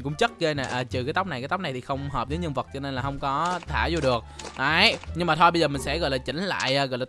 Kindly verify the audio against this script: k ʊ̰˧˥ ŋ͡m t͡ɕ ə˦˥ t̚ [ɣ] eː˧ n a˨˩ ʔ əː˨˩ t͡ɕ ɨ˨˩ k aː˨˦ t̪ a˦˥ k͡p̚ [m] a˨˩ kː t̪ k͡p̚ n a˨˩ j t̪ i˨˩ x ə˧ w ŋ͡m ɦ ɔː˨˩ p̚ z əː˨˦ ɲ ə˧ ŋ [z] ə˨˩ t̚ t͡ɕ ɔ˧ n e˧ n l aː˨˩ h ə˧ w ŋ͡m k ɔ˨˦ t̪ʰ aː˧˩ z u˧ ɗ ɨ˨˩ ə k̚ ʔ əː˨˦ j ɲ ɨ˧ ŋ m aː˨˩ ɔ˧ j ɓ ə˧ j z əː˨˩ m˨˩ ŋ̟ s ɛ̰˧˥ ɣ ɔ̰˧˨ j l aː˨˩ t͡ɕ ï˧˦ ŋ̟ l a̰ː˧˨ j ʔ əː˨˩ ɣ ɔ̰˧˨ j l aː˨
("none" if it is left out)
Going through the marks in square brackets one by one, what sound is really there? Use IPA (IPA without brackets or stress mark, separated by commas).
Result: ɣ, n, v